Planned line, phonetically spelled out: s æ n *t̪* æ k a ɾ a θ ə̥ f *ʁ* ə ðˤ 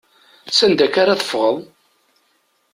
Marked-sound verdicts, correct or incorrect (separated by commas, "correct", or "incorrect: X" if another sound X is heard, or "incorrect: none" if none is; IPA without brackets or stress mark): incorrect: d̪, correct